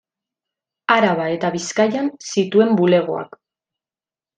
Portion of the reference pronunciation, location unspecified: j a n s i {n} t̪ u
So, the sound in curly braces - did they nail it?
no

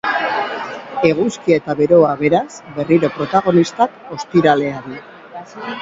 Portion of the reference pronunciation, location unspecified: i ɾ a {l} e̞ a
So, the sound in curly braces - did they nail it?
yes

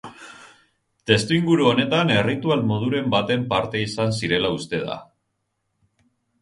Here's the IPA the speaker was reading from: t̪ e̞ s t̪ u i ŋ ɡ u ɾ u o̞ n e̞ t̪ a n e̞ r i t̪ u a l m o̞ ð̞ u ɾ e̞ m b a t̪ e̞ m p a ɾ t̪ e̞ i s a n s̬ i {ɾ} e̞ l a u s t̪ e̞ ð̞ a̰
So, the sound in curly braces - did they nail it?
yes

